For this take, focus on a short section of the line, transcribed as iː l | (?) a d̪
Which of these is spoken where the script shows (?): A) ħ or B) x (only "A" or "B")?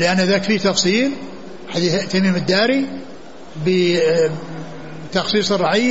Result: A